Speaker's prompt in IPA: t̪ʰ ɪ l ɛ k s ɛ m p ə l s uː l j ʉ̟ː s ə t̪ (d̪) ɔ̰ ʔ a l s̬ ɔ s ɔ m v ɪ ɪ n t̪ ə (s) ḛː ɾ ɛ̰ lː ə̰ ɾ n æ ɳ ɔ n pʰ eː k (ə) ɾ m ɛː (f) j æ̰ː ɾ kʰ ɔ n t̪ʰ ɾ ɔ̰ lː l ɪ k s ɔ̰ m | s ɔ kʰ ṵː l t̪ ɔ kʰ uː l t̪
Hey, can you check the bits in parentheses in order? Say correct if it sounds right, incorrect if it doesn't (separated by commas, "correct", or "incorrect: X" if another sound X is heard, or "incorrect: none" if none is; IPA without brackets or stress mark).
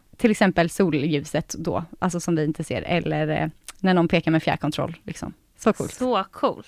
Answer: correct, correct, incorrect: a, correct